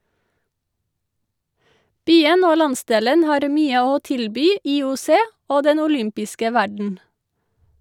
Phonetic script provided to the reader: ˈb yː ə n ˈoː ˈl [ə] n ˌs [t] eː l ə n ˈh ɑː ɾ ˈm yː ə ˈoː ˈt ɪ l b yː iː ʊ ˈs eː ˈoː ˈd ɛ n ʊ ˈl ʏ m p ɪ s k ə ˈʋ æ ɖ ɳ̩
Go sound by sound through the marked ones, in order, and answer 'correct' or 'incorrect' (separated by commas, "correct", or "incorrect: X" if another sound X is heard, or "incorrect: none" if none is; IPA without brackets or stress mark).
incorrect: ɑ, incorrect: d